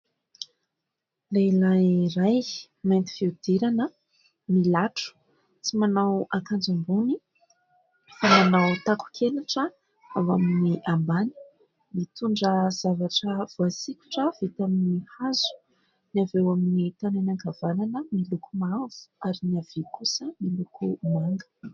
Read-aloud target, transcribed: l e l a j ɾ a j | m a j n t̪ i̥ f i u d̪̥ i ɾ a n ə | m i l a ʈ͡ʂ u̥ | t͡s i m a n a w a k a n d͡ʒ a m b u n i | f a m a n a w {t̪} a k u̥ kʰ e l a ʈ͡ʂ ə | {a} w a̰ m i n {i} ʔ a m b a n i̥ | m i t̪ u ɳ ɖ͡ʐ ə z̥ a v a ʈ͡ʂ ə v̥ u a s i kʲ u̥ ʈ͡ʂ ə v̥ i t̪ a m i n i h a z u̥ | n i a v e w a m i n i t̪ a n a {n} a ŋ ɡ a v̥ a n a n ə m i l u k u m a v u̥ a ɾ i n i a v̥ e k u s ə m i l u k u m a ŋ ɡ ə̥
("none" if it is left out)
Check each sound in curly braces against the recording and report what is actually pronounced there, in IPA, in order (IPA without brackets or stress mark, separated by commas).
t̪, a, i, n